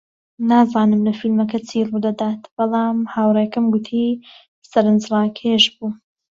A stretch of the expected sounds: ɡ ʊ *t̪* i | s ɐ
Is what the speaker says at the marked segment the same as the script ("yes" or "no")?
no